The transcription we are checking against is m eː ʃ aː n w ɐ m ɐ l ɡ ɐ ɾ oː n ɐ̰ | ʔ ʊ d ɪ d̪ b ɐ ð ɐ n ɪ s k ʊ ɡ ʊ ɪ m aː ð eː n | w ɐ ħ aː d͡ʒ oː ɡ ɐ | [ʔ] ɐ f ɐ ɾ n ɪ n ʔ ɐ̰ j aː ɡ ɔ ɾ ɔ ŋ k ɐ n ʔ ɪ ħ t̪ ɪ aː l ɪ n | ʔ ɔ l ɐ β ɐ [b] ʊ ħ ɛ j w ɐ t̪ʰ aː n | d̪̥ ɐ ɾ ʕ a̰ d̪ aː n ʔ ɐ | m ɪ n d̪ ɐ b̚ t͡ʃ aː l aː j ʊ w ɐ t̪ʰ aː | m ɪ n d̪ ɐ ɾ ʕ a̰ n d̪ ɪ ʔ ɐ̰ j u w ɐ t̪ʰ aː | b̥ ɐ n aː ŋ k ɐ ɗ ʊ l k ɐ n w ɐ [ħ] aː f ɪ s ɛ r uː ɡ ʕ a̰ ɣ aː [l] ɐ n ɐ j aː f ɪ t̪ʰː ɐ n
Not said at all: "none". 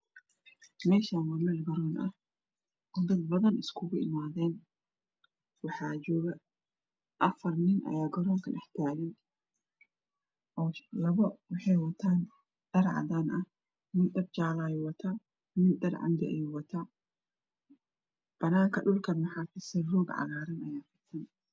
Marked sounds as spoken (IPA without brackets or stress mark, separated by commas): ʔ, w, ħ, ɾ